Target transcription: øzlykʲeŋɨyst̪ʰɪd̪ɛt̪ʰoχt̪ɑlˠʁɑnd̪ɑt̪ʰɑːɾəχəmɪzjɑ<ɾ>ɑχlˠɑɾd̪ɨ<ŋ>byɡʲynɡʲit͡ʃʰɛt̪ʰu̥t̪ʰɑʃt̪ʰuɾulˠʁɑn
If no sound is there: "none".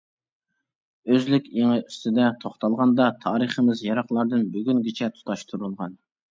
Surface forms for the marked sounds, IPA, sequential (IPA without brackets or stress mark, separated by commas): ɾ, n